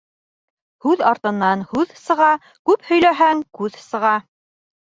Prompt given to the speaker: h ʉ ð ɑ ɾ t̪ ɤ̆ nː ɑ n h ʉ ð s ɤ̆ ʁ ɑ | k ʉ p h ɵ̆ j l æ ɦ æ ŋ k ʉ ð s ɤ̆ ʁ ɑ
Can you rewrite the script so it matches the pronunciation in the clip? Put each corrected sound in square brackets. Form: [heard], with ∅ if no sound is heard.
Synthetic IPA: h ʉ ð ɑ ɾ t̪ ɤ̆ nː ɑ n h ʉ ð s ɤ̆ ʁ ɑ | k ʉ p h ɵ̆ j l æ ɦ æ ŋ k ʉ ð s ɤ̆ ʁ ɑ